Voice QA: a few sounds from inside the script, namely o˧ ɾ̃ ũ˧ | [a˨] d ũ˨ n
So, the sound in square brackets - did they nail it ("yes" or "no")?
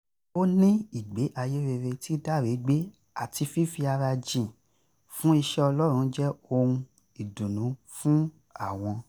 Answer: no